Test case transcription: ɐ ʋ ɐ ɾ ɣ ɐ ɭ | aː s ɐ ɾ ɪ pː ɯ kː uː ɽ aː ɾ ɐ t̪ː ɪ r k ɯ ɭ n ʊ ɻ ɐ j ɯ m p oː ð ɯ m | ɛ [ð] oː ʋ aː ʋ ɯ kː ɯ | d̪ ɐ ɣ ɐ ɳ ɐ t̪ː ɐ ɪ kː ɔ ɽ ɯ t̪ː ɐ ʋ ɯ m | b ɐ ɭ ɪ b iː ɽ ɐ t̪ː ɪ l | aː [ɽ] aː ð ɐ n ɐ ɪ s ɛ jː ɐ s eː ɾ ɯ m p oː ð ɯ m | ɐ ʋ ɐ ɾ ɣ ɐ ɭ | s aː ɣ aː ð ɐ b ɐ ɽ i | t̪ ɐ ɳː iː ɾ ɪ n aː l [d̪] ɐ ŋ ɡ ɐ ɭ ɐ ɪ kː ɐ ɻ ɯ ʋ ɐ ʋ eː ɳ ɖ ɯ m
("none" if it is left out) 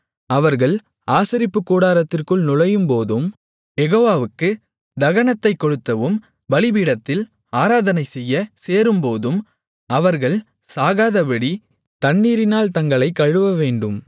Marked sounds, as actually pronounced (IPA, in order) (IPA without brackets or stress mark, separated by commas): ɣ, ɾ, t̪